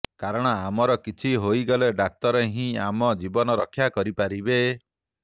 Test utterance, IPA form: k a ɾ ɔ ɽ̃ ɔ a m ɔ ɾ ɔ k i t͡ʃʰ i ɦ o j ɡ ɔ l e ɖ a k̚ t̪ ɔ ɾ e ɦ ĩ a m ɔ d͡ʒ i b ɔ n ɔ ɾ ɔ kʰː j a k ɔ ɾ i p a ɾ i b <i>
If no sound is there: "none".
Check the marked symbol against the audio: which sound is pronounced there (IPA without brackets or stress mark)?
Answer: e